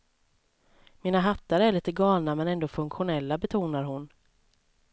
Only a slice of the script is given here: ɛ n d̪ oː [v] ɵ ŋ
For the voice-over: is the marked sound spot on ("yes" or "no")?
no